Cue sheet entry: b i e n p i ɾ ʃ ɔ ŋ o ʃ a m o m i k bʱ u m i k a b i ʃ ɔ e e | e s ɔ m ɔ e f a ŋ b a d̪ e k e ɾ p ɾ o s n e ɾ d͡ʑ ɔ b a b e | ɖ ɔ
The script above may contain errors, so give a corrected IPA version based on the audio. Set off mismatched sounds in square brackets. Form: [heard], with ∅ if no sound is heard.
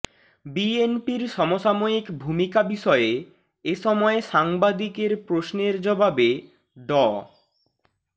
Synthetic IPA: b i e n p i ɾ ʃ ɔ [m] o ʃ a m o [∅] i k bʱ u m i k a b i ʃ ɔ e e | e [ʃ] ɔ m ɔ e [ʃ] a ŋ b a d̪ [i] k e ɾ p ɾ o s n e ɾ d͡ʑ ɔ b a b e | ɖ ɔ